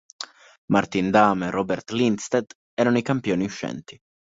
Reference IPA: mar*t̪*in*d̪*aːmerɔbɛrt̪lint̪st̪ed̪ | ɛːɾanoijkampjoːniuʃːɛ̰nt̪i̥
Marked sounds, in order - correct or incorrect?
correct, correct

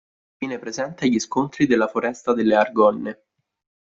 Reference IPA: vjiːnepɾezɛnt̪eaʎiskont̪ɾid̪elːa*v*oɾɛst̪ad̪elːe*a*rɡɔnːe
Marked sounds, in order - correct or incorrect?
incorrect: f, correct

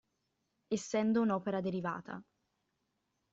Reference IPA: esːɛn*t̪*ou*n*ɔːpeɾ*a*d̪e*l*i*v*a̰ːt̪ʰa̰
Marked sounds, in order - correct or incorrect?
incorrect: d̪, correct, correct, incorrect: ɾ, correct

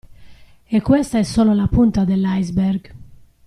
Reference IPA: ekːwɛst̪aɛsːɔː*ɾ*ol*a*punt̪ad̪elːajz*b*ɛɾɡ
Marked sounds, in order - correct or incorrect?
incorrect: l, correct, correct

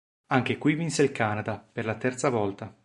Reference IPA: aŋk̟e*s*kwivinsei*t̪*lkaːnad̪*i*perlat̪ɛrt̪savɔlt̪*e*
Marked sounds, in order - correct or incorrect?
incorrect: none, incorrect: none, incorrect: a, incorrect: a

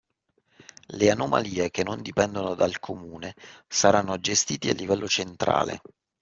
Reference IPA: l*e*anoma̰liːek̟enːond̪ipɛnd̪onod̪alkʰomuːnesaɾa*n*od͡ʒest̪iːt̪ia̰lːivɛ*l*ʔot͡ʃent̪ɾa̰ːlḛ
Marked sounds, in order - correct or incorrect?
correct, incorrect: nː, incorrect: lː

